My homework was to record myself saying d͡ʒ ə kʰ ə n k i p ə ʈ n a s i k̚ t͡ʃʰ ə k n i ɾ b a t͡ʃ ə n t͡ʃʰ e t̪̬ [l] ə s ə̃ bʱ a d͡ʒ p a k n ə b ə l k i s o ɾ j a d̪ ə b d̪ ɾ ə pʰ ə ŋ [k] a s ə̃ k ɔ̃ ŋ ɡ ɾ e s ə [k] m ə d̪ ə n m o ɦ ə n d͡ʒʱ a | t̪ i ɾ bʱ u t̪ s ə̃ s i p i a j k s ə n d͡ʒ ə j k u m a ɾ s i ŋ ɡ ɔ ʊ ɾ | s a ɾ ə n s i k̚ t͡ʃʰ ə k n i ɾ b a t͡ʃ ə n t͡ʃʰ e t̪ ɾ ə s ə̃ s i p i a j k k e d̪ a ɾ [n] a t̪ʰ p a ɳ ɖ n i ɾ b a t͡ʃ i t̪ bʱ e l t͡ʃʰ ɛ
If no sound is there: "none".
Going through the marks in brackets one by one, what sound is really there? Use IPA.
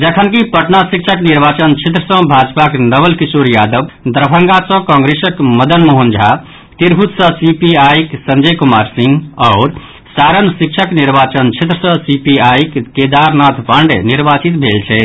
ɾ, ɡ, k, n

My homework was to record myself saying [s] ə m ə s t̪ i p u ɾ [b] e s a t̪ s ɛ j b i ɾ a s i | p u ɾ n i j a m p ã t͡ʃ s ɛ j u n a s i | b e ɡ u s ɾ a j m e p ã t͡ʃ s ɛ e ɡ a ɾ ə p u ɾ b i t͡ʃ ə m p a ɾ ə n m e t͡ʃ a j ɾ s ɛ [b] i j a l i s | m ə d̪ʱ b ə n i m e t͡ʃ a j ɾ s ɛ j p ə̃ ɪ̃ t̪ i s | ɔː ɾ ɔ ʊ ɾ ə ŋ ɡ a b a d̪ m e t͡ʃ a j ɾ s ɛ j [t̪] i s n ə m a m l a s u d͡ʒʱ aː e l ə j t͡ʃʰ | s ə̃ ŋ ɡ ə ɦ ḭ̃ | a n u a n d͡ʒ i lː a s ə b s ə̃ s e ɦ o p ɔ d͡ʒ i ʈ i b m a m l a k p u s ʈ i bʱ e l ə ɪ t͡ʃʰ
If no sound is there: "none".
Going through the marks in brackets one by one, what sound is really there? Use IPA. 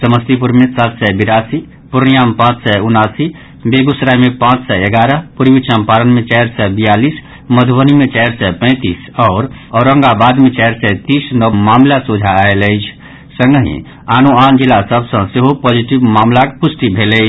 s, m, b, t̪

